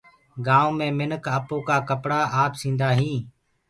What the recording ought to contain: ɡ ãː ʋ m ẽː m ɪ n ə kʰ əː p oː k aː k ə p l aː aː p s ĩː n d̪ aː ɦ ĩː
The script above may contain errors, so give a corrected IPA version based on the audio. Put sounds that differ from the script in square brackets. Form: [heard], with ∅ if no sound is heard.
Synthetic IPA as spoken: ɡ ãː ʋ m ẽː m ɪ n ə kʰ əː p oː k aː k ə p [ɽ] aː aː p s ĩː n d̪ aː ɦ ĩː